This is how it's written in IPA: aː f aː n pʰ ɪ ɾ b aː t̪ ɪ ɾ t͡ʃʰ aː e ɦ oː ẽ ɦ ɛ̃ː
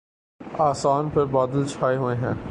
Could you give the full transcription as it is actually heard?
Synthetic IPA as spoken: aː s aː n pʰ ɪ ɾ b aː d̪ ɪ l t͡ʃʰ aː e ɦ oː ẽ ɦ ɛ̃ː